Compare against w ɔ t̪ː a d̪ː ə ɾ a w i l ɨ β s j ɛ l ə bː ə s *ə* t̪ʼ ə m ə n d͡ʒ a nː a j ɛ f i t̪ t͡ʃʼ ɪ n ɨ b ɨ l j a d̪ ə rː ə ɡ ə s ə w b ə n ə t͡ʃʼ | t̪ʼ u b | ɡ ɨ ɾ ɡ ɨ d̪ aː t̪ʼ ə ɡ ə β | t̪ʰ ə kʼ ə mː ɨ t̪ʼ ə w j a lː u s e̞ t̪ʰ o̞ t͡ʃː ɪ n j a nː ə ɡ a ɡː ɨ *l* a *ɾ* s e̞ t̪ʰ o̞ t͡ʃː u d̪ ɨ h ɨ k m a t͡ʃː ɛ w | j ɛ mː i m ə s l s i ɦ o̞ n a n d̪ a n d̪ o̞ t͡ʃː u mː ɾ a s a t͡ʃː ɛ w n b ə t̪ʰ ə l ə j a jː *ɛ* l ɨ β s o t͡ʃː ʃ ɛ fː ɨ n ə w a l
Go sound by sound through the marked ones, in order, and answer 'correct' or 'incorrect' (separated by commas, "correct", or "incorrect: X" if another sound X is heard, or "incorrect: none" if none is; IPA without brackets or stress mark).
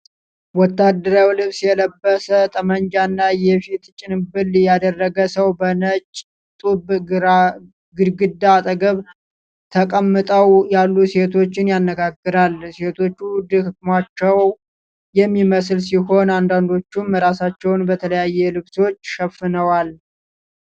correct, incorrect: ɾ, incorrect: l, correct